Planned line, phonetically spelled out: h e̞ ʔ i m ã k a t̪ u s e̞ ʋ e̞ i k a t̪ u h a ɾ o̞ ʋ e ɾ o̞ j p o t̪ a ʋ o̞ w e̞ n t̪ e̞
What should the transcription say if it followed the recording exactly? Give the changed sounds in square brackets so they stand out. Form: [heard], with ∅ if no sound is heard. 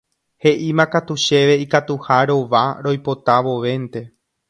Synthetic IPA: h e̞ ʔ i m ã k a t̪ u [ʃ] e̞ ʋ e̞ i k a t̪ u h a ɾ o̞ ʋ [a] ɾ o̞ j p o t̪ a ʋ o̞ [ʋ] e̞ n t̪ e̞